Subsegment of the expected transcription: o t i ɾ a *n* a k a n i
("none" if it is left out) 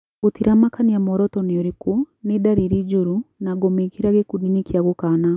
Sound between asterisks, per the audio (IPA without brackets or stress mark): m